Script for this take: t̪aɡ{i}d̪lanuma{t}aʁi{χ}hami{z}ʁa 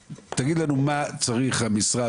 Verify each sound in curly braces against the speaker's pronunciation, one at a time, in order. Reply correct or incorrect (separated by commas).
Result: correct, incorrect, correct, incorrect